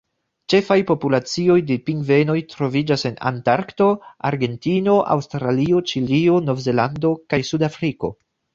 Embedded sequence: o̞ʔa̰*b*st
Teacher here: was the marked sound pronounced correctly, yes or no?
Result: no